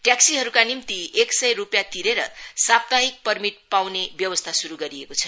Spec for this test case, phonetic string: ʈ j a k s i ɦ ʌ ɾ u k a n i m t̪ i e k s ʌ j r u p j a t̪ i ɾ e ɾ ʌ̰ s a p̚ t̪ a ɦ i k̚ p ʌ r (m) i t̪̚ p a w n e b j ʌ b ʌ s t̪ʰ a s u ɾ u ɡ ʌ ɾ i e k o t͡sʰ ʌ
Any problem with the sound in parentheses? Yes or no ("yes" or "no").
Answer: no